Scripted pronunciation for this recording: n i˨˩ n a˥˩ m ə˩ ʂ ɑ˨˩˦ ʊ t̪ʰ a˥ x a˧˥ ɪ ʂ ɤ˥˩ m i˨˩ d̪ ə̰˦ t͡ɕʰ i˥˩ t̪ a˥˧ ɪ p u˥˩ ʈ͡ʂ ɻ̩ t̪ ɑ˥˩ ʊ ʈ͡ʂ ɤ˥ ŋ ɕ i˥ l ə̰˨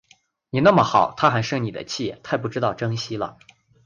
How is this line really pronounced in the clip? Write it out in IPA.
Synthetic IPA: n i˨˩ n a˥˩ m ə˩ x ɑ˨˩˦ ʊ t̪ʰ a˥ x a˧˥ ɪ ʂ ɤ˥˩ n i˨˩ d̪ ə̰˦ t͡ɕʰ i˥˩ t̪ʰ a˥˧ ɪ p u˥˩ ʈ͡ʂ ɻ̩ t̪ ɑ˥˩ ʊ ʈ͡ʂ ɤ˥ ŋ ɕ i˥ l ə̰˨